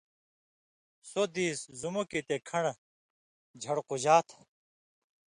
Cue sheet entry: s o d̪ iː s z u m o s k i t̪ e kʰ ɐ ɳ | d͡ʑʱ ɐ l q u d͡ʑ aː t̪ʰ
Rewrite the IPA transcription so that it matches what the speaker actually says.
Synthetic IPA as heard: s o d̪ iː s z u m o k i t̪ e kʰ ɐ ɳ | d͡ʑʱ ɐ ɽ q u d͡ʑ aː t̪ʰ